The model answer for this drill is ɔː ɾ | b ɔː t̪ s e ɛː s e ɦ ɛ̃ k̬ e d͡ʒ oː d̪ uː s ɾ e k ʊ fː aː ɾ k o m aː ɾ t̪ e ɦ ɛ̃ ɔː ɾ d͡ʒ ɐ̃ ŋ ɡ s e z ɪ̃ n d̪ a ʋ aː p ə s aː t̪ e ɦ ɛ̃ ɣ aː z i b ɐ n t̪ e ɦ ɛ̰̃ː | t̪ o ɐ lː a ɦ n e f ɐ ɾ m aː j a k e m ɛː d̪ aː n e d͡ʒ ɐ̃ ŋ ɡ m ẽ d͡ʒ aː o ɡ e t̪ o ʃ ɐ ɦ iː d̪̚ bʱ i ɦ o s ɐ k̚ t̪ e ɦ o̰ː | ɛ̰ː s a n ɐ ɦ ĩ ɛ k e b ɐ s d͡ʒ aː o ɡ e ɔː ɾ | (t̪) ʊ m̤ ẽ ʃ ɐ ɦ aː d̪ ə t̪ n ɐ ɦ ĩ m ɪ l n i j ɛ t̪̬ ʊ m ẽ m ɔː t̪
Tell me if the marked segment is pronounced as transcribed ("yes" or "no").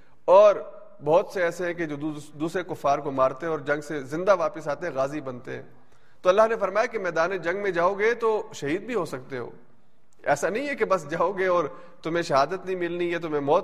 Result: yes